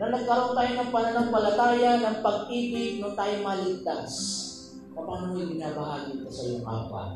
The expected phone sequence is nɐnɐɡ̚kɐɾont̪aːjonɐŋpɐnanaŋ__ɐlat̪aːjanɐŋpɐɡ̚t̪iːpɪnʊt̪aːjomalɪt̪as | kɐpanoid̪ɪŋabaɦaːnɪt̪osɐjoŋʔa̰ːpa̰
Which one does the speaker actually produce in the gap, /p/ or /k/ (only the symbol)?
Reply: p